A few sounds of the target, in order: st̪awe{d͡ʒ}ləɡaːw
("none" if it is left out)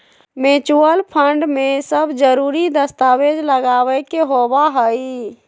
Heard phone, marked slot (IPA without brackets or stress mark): d͡ʒ